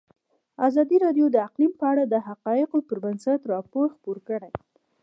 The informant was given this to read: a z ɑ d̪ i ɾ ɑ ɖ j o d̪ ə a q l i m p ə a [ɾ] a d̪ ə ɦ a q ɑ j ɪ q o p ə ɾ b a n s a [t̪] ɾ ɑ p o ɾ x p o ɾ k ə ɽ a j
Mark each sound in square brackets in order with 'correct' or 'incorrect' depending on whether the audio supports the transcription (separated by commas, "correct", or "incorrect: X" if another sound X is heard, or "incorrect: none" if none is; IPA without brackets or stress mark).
incorrect: ɽ, correct